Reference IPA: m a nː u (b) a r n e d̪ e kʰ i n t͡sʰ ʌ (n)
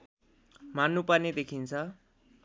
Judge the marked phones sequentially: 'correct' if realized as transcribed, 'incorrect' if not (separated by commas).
incorrect, incorrect